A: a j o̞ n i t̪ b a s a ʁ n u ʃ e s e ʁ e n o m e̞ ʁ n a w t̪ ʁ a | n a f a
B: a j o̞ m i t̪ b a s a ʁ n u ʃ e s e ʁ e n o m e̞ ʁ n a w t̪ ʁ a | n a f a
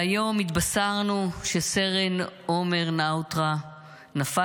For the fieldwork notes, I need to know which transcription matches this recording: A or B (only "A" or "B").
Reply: B